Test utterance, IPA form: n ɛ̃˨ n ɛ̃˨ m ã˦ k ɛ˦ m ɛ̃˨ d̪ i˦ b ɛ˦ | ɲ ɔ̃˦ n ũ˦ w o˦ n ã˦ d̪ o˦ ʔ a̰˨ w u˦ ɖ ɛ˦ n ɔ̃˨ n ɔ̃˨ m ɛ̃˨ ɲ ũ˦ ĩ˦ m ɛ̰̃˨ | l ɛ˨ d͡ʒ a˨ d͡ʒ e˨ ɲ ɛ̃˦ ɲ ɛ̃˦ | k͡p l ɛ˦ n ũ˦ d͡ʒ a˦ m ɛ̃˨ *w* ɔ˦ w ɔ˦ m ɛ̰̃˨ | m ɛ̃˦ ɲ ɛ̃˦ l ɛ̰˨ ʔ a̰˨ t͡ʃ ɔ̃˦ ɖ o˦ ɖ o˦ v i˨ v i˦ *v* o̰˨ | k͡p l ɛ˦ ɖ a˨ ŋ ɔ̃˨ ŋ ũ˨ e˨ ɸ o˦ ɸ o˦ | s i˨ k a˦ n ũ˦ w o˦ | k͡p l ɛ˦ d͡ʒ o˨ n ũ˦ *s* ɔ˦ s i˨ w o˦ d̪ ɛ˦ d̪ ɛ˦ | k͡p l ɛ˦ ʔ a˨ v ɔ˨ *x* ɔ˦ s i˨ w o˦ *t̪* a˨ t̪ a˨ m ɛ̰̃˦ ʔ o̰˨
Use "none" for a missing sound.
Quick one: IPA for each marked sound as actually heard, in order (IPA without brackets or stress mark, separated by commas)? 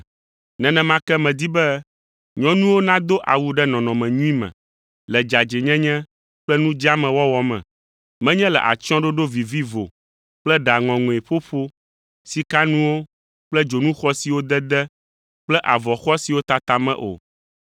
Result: w, v, x, x, t̪